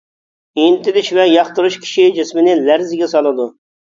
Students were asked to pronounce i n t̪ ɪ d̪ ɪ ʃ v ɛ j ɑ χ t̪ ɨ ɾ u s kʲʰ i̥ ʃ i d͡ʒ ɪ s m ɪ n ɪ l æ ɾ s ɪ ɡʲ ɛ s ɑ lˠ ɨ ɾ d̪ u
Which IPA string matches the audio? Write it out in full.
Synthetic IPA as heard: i n t̪ ɪ d̪ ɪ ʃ v ɛ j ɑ χ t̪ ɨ ɾ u ʃ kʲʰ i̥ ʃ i d͡ʒ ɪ s m ɪ n ɪ l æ ɾ z ɪ ɡʲ ɛ s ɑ lˠ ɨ d̪ u

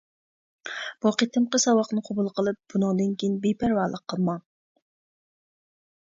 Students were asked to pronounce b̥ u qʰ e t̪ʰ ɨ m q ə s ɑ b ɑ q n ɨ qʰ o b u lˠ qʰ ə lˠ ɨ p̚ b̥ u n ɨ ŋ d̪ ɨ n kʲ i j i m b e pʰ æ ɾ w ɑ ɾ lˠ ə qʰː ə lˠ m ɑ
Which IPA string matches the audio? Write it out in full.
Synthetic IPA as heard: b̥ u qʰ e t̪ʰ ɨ m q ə s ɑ w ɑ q n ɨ qʰ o b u lˠ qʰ ə lˠ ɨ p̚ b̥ u n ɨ ŋ d̪ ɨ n kʲ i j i n b e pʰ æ ɾ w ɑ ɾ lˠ ə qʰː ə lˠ m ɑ

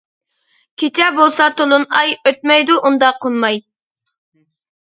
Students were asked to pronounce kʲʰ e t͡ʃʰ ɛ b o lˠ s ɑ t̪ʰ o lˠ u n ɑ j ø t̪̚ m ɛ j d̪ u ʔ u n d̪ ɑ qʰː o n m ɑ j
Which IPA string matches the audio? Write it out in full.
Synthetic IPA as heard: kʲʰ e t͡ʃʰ ɛ b o lˠ s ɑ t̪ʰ o lˠ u n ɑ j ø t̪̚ m ɛ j d̪ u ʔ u n d̪ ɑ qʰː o n m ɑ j

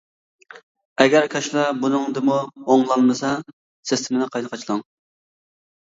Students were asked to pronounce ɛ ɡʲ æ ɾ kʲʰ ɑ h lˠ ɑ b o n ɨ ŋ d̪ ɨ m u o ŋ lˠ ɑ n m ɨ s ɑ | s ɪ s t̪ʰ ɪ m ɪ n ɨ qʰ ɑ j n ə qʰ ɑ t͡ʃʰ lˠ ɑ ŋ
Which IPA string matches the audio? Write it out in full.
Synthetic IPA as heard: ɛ ɡʲ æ ɾ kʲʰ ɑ ʃ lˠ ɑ b u n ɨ ŋ d̪ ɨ m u o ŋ lˠ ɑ n m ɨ s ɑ | s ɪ s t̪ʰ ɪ m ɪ n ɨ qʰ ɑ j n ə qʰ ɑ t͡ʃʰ lˠ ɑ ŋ

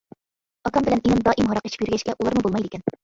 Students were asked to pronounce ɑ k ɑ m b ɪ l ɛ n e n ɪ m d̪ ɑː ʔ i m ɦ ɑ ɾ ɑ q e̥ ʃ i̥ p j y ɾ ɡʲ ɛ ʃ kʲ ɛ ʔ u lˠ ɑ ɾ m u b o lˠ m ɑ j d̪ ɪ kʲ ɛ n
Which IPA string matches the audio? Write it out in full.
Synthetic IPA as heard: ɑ k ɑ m b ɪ l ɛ n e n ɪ m d̪ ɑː ʔ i m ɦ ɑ ɾ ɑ q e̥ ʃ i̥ p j y ɾ ɡʲ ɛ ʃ kʲ ɛ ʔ u lˠ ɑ ɾ m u b o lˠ m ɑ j d̪ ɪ kʲ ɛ n

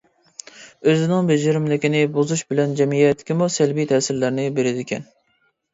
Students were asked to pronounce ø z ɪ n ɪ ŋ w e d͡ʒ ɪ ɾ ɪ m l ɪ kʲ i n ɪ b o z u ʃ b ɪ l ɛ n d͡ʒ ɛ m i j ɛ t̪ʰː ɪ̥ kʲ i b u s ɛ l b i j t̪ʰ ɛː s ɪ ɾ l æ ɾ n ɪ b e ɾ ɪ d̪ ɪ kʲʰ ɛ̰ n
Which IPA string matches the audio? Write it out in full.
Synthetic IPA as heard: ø z ɪ n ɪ ŋ b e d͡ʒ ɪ ɾ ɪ m l ɪ kʲ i n ɪ b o z u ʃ b ɪ l ɛ n d͡ʒ ɛ m i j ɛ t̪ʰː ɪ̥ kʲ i m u s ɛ l b i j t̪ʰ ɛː s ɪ ɾ l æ ɾ n ɪ b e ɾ ɪ d̪ ɪ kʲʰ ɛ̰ n

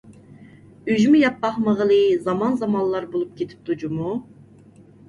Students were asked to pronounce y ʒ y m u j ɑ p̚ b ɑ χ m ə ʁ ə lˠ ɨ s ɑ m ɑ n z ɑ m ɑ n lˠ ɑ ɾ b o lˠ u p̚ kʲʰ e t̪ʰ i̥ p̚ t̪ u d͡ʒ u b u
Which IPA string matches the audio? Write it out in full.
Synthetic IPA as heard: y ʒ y m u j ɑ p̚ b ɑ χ m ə ʁ ə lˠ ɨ z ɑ m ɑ n z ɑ m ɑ n lˠ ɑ ɾ b o lˠ u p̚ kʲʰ e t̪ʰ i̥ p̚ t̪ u d͡ʒ u m u

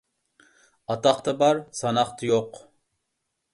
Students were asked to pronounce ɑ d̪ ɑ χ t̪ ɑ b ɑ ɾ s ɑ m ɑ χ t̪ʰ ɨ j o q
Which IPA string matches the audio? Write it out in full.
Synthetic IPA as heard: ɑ t̪ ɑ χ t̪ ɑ b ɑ ɾ s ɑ n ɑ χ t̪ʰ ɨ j o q

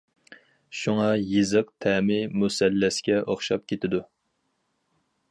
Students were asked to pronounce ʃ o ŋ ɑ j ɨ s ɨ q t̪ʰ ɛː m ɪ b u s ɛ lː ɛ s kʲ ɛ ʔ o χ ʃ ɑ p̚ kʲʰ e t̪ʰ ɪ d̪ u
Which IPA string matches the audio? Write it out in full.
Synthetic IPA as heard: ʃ u ŋ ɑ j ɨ z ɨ q t̪ʰ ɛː m ɪ m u s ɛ lː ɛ s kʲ ɛ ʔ o χ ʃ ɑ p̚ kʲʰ e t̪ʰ ɪ d̪ u

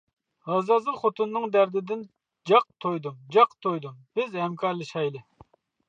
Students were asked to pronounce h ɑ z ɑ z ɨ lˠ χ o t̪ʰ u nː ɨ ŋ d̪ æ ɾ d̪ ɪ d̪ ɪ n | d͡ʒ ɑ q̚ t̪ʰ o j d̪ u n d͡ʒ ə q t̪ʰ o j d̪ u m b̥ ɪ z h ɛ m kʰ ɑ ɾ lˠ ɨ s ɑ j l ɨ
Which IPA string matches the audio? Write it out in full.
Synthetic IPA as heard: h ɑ z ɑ z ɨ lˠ χ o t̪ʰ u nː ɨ ŋ d̪ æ ɾ d̪ ɪ d̪ ɪ n | d͡ʒ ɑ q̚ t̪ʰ o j d̪ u m d͡ʒ ɑ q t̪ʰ o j d̪ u m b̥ ɪ z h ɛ m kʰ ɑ ɾ lˠ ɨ ʃ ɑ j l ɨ

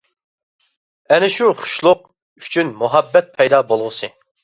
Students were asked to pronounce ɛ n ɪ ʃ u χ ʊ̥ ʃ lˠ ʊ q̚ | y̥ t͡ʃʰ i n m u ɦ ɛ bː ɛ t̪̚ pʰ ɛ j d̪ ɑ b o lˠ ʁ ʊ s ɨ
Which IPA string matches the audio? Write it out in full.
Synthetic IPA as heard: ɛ n ɪ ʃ u χ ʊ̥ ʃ lˠ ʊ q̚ | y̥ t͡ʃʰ y n m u ɦ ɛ bː ɛ t̪̚ pʰ ɛ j d̪ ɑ b o lˠ ʁ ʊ s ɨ

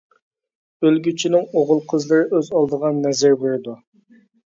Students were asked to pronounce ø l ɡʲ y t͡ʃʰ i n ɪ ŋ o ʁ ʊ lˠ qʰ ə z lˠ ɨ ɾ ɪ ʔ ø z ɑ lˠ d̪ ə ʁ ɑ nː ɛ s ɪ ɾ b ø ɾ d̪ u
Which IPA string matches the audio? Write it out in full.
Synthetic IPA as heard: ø l ɡʲ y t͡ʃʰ i n ɪ ŋ o ʁ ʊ lˠ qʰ ə z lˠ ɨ ɾ ɪ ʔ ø z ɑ lˠ d̪ ə ʁ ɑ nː ɛ z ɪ ɾ b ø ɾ d̪ u

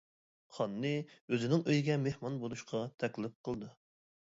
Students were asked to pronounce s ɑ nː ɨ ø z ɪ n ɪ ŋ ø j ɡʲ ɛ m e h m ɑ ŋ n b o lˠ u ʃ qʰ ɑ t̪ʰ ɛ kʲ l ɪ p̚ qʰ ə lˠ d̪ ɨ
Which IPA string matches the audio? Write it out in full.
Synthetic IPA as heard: χ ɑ nː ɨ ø z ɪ n ɪ ŋ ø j ɡʲ ɛ m e h m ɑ n b o lˠ u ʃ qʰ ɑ t̪ʰ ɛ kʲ l ɪ p̚ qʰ ə lˠ d̪ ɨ

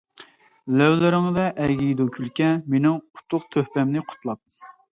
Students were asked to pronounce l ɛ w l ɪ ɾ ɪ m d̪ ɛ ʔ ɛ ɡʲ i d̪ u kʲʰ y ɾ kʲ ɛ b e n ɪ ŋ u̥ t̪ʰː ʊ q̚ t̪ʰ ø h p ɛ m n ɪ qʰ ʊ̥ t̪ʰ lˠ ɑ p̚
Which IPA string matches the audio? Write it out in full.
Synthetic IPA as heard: l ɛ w l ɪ ɾ ɪ ŋ d̪ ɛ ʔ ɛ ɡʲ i d̪ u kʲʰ y l kʲ ɛ m e n ɪ ŋ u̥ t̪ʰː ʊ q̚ t̪ʰ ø h p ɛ m n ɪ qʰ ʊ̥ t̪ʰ lˠ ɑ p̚

